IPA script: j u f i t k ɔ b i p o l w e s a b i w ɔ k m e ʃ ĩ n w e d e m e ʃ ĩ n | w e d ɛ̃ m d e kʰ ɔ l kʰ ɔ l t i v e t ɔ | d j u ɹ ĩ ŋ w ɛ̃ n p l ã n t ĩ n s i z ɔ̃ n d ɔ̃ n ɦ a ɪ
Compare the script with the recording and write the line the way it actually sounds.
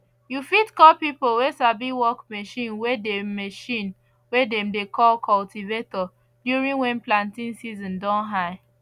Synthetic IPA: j u f i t k ɔ p i p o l w e s a b i w ɔ k m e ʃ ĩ n w e d e m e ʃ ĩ n | w e d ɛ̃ m d e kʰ ɔ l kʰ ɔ l t i v e t ɔ | d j u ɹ ĩ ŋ w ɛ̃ n p l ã n t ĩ n s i z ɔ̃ n d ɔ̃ n ɦ a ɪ